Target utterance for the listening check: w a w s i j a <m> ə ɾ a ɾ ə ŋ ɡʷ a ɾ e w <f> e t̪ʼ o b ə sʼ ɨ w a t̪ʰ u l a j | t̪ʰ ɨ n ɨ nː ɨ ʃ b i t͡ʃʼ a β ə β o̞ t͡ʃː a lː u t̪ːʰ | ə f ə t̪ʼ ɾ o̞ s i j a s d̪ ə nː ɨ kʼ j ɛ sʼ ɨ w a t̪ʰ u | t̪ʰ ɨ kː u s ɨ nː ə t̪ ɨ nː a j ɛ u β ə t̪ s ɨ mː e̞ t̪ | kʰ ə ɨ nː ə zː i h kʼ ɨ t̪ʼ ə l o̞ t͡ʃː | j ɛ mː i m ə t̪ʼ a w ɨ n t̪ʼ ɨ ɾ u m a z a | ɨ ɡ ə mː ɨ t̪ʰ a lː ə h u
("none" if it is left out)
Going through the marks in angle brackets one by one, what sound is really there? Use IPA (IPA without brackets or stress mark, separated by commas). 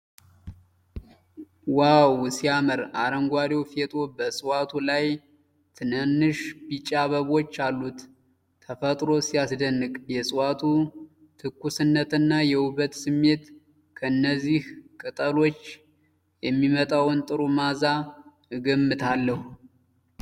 m, f